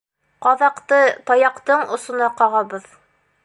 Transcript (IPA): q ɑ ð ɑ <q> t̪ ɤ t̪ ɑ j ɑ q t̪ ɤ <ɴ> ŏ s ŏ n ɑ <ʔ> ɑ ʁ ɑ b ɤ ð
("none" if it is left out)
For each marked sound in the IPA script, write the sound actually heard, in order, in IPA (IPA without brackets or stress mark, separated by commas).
q, ɴ, q